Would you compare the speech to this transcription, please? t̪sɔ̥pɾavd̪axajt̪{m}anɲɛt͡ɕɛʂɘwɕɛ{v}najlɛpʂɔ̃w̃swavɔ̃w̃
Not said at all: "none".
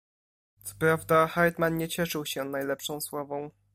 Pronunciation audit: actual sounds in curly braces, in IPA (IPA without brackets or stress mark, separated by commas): m, none